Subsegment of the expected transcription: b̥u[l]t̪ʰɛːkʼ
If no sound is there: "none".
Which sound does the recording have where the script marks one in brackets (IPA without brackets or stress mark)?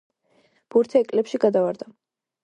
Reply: ɾ